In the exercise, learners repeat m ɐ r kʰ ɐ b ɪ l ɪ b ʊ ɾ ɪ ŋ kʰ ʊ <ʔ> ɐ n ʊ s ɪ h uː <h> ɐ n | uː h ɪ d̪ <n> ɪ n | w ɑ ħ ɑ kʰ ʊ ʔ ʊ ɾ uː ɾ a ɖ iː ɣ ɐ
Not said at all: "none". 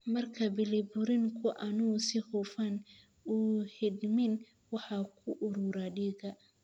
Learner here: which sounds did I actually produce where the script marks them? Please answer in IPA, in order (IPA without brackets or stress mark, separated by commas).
ʔ, f, m